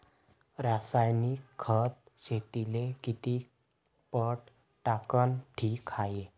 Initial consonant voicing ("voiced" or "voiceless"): voiced